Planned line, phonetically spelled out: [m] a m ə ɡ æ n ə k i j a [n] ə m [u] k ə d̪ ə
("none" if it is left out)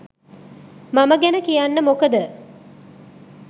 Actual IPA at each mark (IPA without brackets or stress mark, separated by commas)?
m, nː, o